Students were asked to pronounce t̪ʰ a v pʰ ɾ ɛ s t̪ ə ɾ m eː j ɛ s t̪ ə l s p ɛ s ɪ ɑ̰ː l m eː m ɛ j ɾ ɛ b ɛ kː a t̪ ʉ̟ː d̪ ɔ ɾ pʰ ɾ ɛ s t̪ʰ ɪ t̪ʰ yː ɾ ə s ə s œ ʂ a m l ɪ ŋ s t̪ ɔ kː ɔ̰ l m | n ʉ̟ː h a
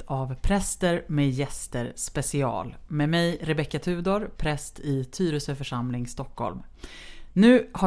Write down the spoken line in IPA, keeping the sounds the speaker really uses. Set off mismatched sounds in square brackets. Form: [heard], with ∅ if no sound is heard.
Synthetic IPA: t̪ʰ a v pʰ ɾ ɛ s t̪ ə ɾ m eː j ɛ s t̪ ə [ɾ] s p ɛ s ɪ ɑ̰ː l m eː m ɛ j ɾ ɛ b ɛ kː a [t̪ʰ] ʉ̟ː d̪ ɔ ɾ pʰ ɾ ɛ s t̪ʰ ɪ t̪ʰ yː ɾ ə s ə [f] œ ʂ a m l ɪ ŋ s t̪ ɔ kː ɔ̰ l m | n ʉ̟ː h a